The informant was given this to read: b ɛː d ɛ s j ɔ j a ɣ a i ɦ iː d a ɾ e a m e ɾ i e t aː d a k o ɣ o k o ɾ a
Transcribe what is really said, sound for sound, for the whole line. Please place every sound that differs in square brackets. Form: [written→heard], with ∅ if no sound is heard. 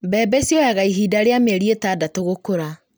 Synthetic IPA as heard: b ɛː [d→b] ɛ s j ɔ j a ɣ a i ɦ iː d a ɾ e a m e ɾ i e t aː d a [k→t] o ɣ o k o ɾ a